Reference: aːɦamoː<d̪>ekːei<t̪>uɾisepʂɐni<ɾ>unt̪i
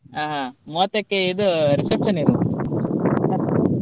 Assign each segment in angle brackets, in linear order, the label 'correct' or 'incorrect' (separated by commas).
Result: incorrect, incorrect, correct